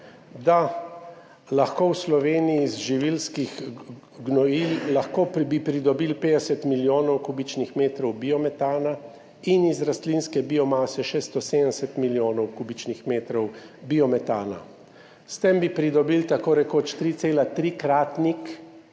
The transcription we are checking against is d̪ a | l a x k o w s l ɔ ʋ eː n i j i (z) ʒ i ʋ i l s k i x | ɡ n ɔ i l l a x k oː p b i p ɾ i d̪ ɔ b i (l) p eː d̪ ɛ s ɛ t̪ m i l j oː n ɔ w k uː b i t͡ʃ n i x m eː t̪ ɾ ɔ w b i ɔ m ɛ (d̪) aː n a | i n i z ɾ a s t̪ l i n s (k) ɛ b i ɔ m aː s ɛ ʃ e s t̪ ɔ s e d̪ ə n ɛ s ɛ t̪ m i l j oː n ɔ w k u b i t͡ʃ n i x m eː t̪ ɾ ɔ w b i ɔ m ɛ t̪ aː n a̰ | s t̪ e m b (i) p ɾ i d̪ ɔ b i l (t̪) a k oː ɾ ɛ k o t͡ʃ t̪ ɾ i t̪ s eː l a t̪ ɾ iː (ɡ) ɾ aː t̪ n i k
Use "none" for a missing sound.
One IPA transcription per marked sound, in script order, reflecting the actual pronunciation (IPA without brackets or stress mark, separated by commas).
z, l, t̪, k, i, t̪, k